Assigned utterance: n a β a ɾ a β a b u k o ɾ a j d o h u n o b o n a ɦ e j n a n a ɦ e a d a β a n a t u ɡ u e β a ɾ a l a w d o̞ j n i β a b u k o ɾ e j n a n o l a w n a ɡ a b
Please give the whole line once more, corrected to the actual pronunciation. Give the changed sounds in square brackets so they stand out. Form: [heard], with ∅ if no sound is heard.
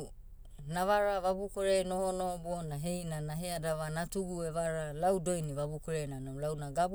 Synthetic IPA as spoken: n a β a ɾ a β a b u k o ɾ [e] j [n] o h [o] n o b o n a ɦ e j n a n a ɦ e a d a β a n a t u ɡ u e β a ɾ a l a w d o̞ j n i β a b u k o ɾ e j n a n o l a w n a ɡ a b